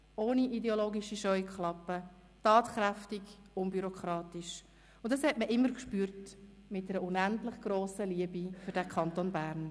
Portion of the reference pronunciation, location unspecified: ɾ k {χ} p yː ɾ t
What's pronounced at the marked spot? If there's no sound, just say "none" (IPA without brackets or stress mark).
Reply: ʃ